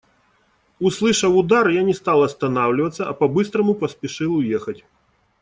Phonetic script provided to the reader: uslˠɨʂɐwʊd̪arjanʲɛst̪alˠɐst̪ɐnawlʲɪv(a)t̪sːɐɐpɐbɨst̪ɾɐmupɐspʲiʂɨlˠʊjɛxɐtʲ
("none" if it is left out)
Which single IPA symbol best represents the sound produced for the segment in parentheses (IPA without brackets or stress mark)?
ɐ